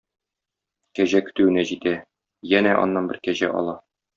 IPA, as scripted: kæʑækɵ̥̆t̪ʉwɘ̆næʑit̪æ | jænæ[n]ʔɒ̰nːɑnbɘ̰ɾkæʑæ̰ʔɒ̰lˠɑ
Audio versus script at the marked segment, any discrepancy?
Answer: yes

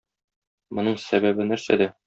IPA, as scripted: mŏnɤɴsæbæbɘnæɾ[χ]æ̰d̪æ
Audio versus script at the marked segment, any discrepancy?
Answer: yes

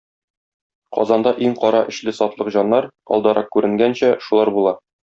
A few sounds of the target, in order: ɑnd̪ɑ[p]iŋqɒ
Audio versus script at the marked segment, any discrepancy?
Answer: yes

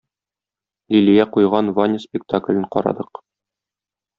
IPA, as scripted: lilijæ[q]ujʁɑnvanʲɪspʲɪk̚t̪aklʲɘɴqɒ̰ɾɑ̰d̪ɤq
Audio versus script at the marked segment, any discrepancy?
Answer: no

